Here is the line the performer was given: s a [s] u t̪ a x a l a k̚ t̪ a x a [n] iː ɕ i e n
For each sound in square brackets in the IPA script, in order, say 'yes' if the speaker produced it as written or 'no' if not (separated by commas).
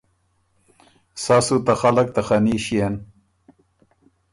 yes, yes